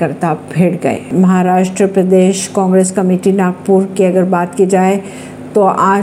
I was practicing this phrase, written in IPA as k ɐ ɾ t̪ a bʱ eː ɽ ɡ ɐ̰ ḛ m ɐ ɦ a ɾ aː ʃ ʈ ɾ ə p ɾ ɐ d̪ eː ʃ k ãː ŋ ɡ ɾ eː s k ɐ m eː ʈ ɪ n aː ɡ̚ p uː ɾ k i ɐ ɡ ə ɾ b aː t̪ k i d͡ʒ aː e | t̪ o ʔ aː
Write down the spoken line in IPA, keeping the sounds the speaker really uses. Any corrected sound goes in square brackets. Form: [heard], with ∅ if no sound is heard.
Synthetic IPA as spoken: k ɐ ɾ t̪ a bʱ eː ɽ ɡ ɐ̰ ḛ m ɐ ɦ a ɾ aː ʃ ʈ ɾ ə p ɾ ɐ d̪ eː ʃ k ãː ŋ ɡ ɾ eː s k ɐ m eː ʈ [i] n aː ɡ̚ p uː ɾ k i ɐ ɡ ə ɾ b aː t̪ k i d͡ʒ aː e | t̪ o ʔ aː